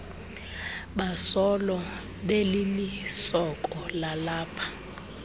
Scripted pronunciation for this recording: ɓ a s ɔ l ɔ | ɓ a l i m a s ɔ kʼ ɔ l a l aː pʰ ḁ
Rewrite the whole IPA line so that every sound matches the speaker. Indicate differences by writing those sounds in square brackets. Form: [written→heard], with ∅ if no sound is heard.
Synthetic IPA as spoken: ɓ a s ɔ l ɔ | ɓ [a→e] l i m [a→i] s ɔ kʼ ɔ l a l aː pʰ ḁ